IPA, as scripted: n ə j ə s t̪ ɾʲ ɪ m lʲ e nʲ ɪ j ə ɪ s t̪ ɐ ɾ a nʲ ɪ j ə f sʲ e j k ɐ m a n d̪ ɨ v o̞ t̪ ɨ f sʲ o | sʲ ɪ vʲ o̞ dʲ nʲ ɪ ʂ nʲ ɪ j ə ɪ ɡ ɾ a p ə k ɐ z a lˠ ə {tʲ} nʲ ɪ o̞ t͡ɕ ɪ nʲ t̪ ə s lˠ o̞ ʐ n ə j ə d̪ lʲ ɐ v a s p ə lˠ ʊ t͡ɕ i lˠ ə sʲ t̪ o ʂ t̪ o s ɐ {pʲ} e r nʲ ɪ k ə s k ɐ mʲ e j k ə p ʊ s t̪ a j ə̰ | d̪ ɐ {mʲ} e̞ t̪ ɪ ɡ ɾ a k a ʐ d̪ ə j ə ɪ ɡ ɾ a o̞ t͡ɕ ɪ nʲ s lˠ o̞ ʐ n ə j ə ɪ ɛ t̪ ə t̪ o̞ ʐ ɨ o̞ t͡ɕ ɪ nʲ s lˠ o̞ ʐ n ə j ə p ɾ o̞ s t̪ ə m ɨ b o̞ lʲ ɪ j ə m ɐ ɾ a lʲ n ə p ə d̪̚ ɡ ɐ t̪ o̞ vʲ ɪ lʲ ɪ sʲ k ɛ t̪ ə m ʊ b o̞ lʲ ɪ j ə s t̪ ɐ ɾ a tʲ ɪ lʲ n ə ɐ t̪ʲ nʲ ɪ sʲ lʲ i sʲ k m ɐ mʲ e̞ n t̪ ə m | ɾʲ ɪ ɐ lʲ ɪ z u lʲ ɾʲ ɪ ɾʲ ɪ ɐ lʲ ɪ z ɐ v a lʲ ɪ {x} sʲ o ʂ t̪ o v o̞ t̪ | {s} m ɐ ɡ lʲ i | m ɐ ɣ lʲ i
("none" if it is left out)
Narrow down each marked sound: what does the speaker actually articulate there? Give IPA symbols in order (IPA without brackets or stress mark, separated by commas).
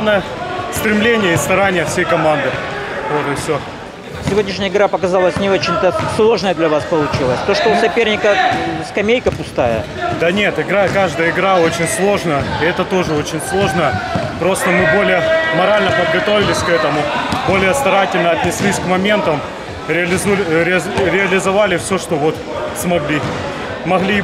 sʲ, pʲ, nʲ, f, s